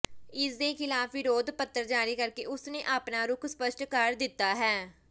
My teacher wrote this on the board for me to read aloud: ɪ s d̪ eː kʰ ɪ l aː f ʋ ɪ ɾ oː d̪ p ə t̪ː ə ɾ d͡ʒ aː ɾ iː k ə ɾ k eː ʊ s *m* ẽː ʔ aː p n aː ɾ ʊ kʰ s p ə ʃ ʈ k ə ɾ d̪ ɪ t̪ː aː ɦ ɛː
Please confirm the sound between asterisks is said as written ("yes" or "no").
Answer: no